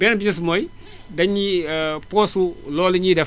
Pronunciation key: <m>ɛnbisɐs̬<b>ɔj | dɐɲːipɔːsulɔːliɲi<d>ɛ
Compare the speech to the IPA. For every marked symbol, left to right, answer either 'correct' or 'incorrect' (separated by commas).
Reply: incorrect, incorrect, correct